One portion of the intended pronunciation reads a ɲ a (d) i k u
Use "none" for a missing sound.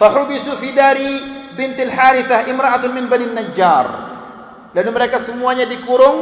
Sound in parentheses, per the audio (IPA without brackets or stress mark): d